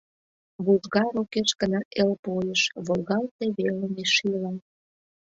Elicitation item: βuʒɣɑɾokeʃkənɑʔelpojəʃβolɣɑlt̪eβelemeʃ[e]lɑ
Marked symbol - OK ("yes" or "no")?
no